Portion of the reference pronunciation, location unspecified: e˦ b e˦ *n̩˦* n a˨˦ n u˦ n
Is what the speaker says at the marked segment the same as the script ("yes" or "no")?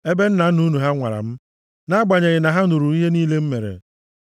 yes